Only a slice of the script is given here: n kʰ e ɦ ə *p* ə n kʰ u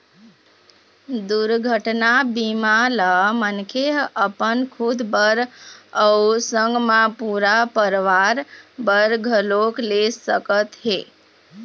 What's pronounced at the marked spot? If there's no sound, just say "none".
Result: p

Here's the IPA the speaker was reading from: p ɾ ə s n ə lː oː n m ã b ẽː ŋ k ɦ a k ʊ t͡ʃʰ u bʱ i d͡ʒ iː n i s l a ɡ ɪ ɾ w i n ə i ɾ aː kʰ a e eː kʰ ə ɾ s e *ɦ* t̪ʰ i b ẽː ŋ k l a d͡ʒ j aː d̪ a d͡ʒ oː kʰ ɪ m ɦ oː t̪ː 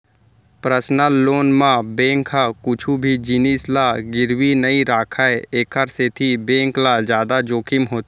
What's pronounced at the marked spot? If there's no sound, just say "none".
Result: none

